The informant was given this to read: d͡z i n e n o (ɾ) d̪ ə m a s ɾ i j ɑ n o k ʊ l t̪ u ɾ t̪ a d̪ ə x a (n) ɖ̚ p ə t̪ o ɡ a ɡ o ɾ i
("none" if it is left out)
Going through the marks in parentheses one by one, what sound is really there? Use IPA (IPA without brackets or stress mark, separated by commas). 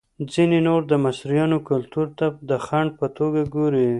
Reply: ɾ, ɳ